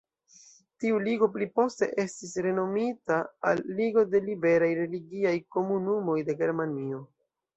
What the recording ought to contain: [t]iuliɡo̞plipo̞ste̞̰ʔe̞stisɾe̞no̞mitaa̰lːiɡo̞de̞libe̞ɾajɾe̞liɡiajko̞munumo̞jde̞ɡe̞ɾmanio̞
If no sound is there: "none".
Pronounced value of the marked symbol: t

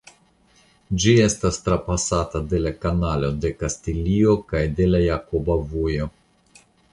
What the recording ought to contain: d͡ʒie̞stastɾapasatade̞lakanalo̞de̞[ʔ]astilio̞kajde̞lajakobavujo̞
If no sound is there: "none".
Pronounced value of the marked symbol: k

